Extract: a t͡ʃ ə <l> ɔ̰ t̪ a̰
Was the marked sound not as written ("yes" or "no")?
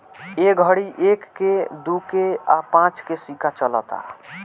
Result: no